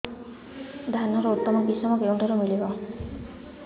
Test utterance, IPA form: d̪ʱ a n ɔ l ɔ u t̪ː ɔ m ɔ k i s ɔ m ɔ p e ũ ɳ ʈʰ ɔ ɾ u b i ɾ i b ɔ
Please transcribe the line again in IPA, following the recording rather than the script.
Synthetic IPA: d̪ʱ a n ɔ ɾ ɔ u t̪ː ɔ m ɔ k i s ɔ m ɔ k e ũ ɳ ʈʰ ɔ ɾ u m i l i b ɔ